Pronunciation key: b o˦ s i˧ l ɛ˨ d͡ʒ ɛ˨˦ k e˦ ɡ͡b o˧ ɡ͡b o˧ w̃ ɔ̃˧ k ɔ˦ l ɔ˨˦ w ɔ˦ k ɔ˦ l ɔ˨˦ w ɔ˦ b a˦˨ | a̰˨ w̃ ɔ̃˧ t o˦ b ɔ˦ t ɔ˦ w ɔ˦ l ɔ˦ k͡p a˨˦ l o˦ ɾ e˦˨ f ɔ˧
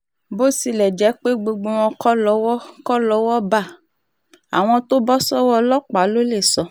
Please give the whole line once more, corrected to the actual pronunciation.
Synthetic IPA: b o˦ s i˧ l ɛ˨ d͡ʒ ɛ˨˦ k͡p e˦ ɡ͡b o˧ ɡ͡b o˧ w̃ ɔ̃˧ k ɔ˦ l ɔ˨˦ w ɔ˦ k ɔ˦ l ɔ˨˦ w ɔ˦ b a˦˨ | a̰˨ w̃ ɔ̃˧ t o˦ b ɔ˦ s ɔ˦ w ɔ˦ l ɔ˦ k͡p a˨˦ l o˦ l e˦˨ s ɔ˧